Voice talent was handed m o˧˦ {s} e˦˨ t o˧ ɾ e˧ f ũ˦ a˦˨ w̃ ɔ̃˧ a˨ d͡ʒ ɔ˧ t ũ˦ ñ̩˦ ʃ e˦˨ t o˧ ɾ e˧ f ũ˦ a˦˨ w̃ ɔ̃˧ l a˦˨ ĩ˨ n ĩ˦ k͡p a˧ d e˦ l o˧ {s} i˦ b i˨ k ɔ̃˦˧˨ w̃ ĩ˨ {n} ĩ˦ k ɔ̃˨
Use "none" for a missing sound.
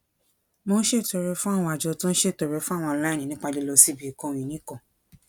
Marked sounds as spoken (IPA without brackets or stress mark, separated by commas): ʃ, s, n